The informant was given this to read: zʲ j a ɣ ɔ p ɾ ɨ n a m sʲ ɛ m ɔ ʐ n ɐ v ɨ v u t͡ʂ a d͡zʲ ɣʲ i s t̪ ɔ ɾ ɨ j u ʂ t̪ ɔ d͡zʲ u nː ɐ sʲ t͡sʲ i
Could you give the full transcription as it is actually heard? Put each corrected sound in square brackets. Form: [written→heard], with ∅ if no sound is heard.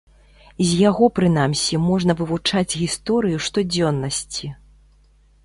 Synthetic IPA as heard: zʲ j a ɣ ɔ p ɾ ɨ n a m sʲ [ɛ→i] m ɔ ʐ n ɐ v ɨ v u t͡ʂ a d͡zʲ ɣʲ i s t̪ ɔ ɾ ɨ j u ʂ t̪ ɔ d͡zʲ [u→ɔ] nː ɐ sʲ t͡sʲ i